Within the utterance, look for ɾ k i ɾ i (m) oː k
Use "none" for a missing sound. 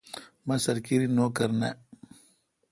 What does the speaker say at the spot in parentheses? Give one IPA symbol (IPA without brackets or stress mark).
n